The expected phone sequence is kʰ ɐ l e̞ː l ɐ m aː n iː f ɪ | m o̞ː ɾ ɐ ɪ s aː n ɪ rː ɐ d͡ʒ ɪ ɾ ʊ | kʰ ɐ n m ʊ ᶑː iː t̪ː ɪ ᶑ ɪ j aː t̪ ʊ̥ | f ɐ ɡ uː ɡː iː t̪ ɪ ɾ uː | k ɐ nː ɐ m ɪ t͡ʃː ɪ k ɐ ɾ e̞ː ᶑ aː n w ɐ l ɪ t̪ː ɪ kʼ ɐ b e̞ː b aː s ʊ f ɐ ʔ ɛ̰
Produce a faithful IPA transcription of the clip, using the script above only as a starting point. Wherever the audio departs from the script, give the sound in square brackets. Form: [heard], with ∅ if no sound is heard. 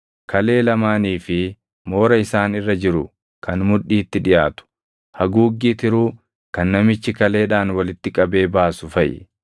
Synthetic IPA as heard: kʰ ɐ l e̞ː l ɐ m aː n iː f ɪ | m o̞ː ɾ ɐ ɪ s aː n ɪ rː ɐ d͡ʒ ɪ ɾ ʊ | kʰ ɐ n m ʊ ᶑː iː t̪ː ɪ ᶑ ɪ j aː t̪ ʊ̥ | [h] ɐ ɡ uː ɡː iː t̪ ɪ ɾ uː | k ɐ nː ɐ m ɪ t͡ʃː ɪ k ɐ [l] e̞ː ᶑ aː n w ɐ l ɪ t̪ː ɪ kʼ ɐ b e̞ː b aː s ʊ f ɐ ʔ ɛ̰